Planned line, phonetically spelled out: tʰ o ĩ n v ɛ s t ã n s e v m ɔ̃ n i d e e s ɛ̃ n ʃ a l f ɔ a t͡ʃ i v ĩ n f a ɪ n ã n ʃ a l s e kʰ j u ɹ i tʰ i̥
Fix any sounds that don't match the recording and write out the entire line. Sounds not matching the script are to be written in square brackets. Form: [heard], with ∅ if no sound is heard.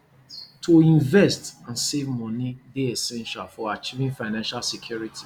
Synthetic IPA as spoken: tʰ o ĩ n v ɛ s t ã n s e v m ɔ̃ n i d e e s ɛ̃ n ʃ a l f ɔ a t͡ʃ i v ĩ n f a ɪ n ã n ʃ a l s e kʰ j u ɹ i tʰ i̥

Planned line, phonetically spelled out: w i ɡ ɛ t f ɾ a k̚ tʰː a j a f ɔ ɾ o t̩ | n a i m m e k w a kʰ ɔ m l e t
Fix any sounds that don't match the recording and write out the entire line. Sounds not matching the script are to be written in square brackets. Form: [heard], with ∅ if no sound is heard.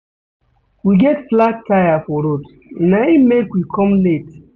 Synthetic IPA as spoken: w i ɡ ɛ t f [l] a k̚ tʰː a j a f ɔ ɾ o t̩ | n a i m m e k w [i] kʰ ɔ m l e t

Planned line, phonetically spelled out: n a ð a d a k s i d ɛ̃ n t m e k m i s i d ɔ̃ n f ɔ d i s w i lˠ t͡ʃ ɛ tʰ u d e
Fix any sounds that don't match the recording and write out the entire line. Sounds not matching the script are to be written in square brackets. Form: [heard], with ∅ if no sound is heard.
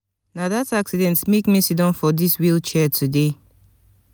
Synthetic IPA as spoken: n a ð a [t] a k s i d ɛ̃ n t m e k m i s i d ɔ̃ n f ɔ d i s w i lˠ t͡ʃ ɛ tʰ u d e

